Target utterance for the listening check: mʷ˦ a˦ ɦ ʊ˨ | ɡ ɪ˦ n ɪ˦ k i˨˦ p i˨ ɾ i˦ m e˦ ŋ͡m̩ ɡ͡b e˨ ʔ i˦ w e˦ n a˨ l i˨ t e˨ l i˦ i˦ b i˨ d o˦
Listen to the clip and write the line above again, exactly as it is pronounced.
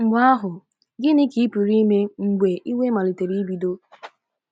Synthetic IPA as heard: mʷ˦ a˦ ɦ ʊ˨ | ɡ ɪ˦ n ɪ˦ k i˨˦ p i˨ ɾ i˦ m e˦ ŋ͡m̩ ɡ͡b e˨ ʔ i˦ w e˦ m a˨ l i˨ t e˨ ɾ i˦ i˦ b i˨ d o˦